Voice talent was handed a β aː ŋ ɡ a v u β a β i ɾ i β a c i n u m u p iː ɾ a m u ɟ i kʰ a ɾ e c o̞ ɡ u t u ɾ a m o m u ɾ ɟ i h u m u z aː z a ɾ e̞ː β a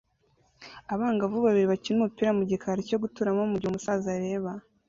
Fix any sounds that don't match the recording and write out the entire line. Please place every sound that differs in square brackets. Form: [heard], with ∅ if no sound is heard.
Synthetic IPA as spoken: a β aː ŋ ɡ a v u β a β i ɾ i β a c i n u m u p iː ɾ a m u ɟ i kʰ a ɾ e c o̞ ɡ u t u ɾ a m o m u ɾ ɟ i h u m u [s] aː z a ɾ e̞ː β a

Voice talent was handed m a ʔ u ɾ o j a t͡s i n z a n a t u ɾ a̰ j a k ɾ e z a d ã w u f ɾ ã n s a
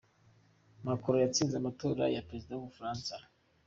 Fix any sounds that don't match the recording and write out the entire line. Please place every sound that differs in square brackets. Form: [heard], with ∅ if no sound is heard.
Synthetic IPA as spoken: m a [k] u ɾ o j a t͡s i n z a [m] a t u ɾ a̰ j a [p] ɾ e z [i] d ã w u f ɾ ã n s a

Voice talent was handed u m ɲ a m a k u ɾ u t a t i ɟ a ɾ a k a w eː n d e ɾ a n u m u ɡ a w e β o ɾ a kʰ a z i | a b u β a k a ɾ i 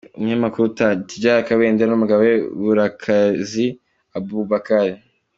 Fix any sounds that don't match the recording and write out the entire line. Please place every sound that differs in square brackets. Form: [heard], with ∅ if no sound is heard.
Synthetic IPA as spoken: u m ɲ a m a k u ɾ u t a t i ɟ a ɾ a k a w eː n d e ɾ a n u m u ɡ a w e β [u] ɾ a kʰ a z i | a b u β a k a ɾ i

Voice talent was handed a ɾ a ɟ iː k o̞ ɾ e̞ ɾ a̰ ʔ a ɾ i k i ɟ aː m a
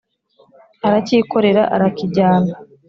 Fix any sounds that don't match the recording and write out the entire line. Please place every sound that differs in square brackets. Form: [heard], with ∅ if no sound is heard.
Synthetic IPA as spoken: a ɾ a [c] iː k o̞ ɾ e̞ ɾ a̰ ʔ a ɾ [a] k i ɟ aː [n] a

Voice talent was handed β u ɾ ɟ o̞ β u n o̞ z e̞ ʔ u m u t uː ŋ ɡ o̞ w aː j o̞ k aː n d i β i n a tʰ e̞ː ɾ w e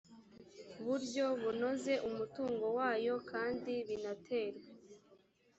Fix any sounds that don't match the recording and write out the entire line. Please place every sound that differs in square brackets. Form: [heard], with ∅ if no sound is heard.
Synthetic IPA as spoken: β u ɾ ɟ o̞ β u n o̞ z e̞ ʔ u m u t uː ŋ ɡ o̞ w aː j o̞ k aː n d i β i n a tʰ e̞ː ɾ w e

